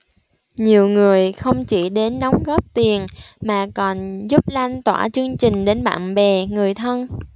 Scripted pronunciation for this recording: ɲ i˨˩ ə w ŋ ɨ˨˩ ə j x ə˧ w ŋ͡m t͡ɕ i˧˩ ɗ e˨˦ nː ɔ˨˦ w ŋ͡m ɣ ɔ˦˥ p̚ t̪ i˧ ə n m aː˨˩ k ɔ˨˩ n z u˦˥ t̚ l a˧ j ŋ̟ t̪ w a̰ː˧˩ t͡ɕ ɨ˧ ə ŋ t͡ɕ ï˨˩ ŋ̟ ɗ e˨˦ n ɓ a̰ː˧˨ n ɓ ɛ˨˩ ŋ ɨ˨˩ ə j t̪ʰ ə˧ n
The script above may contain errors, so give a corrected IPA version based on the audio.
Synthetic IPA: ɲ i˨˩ ə w ŋ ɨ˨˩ ə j x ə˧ w ŋ͡m t͡ɕ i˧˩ ɗ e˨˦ nː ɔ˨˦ w ŋ͡m ɣ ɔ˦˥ p̚ t̪ i˨˩ ə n m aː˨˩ k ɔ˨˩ n z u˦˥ p̚ l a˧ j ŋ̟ t̪ w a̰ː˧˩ t͡ɕ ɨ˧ ə ŋ t͡ɕ ï˨˩ ŋ̟ ɗ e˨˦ n ɓ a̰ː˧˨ n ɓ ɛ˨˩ ŋ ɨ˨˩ ə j t̪ʰ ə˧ n